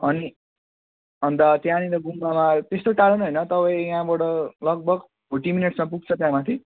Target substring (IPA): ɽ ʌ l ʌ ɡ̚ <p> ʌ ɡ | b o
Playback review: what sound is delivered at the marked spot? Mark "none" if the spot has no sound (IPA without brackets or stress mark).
b